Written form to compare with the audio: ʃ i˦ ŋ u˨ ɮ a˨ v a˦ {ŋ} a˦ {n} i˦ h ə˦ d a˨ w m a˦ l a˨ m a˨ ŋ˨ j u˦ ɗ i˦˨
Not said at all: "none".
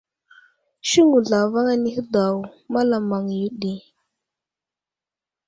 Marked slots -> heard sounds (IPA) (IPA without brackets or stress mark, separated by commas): ŋ, n